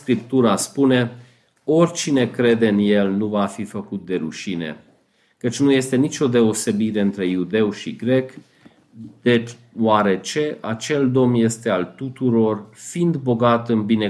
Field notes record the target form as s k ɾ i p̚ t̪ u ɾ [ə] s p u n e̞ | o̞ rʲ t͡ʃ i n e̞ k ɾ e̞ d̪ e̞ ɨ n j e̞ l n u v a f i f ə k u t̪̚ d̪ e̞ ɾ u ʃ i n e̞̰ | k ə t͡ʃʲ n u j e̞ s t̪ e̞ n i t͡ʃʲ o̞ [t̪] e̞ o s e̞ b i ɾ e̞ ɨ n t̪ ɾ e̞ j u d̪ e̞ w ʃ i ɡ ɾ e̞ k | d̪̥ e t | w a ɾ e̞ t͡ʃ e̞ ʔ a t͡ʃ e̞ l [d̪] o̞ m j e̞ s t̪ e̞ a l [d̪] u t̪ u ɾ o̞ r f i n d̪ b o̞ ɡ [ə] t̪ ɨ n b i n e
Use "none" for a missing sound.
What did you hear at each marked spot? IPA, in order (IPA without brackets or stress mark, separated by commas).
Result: a, d̪, d̪, t̪, a